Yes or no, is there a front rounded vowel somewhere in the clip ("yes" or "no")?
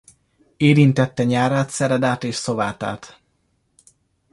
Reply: no